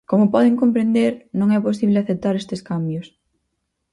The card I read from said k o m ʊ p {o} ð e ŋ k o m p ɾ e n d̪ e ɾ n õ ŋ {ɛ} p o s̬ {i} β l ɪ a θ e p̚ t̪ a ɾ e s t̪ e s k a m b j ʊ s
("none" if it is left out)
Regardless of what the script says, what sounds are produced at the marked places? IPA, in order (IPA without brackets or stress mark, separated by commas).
ɔ, ɛ, i